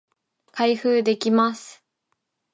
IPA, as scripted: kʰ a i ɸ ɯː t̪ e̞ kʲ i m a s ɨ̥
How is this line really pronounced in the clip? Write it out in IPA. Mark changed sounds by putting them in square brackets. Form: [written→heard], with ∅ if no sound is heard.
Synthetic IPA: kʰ a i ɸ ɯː [t̪→d̪] e̞ kʲ i m a s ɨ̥